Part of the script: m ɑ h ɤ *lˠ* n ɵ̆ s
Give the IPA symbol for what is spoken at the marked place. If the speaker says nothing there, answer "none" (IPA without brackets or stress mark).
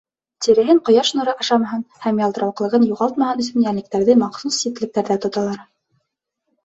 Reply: none